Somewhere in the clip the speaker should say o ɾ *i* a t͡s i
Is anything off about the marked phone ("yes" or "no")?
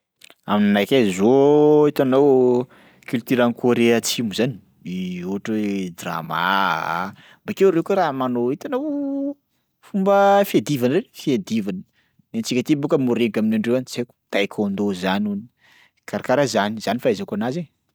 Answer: yes